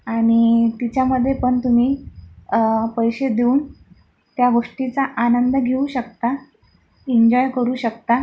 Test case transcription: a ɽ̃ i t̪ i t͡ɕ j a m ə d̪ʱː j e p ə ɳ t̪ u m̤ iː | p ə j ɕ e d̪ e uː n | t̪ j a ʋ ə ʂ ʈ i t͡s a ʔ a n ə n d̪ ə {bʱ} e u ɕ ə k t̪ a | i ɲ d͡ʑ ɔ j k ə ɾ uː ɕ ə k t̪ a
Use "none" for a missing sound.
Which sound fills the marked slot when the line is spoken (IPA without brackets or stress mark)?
ɡʱ